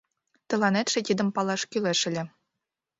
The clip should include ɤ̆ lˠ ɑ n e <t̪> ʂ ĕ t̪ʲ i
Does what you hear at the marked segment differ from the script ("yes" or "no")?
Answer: no